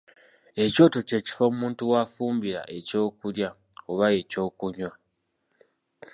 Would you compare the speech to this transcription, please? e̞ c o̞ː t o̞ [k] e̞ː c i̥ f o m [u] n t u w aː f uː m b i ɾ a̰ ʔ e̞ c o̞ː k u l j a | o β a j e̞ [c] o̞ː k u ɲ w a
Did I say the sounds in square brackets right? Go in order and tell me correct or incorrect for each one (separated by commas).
incorrect, incorrect, correct